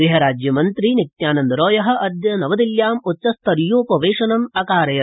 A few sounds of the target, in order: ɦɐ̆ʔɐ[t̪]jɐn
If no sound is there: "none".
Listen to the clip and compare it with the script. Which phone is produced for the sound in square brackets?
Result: d̪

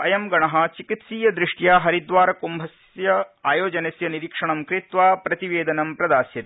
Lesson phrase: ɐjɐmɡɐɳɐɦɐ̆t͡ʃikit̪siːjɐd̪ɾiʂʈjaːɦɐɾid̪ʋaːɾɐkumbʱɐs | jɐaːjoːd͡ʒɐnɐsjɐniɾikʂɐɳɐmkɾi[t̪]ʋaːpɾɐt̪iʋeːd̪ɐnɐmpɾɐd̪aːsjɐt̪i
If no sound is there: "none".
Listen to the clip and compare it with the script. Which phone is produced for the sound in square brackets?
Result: t̪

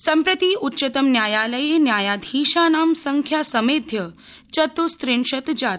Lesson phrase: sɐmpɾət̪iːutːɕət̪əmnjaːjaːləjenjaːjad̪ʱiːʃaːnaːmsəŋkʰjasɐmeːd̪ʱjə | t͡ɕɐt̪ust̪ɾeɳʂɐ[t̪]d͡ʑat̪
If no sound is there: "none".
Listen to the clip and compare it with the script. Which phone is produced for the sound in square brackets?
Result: t̪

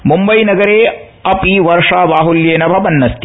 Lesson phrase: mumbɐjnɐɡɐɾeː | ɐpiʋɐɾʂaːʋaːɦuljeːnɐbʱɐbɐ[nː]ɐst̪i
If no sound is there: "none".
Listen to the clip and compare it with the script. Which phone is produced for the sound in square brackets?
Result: nː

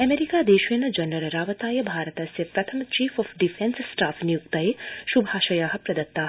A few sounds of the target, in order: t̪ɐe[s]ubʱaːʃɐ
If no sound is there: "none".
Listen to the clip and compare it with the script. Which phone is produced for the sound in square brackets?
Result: ʃ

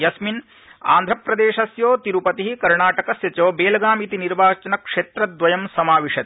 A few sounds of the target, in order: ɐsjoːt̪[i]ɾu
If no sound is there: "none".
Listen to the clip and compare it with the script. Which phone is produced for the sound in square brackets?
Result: i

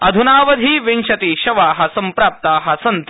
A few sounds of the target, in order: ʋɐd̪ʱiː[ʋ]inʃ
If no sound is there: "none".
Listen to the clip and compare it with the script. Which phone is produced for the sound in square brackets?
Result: ʋ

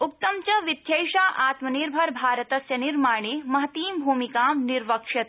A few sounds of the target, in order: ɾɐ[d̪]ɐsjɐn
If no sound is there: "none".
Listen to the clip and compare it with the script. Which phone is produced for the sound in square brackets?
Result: t̪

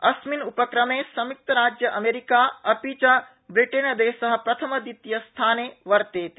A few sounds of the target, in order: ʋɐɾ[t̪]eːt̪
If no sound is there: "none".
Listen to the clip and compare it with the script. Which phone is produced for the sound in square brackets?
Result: t̪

